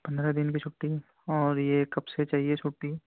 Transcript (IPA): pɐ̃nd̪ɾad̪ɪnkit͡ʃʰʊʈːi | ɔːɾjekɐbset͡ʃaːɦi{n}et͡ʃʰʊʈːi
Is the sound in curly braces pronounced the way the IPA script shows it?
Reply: no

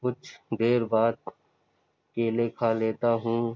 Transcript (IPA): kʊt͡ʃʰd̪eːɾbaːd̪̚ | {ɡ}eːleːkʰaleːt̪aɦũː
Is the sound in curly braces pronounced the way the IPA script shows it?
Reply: no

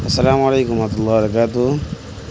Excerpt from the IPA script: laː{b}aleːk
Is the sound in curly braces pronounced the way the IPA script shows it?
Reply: no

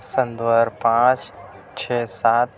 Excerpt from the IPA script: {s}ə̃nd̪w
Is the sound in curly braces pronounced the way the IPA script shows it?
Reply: yes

